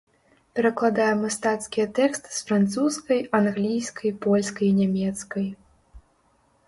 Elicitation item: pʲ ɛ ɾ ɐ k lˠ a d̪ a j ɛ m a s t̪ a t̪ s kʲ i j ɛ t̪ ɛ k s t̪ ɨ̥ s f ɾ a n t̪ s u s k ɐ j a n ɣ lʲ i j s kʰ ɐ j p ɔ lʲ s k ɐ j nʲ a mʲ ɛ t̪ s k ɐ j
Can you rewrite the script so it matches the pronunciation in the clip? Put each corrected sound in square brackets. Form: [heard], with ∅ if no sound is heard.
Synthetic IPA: pʲ ɛ ɾ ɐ k lˠ a d̪ a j ɛ m a s t̪ a t̪ s kʲ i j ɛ t̪ ɛ k s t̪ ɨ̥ s f ɾ a n t̪ s u s k ɐ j a n ɣ lʲ i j s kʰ ɐ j p ɔ lʲ s k ɐ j nʲ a mʲ ɛ t̪ s k ɐ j